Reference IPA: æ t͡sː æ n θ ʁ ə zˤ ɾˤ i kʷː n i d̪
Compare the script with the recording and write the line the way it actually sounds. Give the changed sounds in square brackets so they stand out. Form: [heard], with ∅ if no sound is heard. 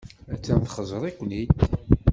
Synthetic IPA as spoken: æ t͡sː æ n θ [χ] ə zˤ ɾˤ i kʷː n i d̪